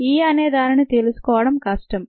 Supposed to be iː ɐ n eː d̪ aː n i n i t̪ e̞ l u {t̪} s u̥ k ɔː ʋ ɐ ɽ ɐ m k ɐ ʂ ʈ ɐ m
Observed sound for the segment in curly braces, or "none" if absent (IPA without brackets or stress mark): none